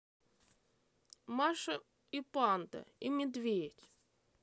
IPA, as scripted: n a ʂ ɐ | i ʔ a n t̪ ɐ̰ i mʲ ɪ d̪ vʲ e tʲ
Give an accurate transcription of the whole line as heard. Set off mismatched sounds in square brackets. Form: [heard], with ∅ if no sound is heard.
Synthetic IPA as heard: [m] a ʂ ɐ | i [p] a n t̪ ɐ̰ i mʲ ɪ d̪ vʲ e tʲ